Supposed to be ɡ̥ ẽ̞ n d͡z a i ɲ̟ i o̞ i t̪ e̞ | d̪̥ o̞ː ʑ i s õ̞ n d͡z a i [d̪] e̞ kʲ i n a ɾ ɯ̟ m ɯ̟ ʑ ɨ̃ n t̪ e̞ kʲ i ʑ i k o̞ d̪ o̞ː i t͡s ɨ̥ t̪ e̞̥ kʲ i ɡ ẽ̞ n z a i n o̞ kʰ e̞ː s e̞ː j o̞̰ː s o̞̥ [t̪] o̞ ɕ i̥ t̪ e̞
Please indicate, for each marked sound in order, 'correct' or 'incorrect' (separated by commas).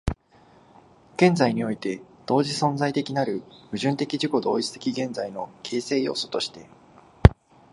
incorrect, correct